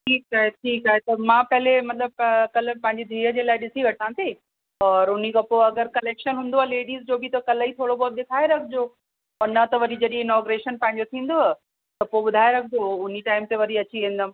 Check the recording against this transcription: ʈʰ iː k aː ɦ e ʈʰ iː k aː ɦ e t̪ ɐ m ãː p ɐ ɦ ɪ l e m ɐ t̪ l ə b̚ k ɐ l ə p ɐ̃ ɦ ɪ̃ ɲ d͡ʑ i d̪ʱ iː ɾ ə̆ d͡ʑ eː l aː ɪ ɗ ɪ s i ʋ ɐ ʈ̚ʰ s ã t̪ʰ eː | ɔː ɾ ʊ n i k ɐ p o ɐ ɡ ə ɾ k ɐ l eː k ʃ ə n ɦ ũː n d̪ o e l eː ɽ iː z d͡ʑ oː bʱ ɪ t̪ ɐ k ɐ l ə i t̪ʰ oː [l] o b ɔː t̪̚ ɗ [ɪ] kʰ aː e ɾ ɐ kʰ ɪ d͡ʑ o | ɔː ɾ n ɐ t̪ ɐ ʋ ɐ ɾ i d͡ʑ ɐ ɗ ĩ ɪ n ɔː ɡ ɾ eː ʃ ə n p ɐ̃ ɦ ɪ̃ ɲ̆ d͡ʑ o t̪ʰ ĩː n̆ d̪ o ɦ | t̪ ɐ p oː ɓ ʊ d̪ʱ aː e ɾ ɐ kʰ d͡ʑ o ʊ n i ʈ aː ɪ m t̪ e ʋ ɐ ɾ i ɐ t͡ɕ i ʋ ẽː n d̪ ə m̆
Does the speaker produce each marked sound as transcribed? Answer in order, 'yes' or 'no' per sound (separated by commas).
no, yes